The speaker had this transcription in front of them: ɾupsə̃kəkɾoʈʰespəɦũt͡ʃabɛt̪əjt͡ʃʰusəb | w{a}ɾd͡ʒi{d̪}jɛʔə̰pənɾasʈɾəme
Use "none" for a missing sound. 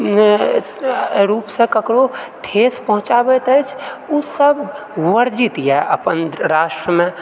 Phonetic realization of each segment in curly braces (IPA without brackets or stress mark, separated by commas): ə, t̪